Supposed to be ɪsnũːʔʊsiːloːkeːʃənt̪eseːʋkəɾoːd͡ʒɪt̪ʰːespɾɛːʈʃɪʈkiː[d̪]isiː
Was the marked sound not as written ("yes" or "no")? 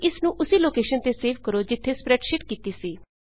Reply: yes